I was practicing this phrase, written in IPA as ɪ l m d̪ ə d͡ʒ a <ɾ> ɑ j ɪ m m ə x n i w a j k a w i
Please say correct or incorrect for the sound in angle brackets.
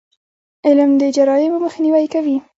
correct